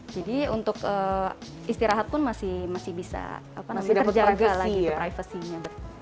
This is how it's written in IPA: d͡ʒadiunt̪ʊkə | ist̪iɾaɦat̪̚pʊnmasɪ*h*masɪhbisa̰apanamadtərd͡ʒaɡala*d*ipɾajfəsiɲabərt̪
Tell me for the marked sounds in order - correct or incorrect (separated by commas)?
correct, incorrect